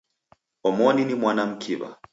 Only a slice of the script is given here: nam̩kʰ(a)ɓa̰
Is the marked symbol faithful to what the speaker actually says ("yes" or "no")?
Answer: no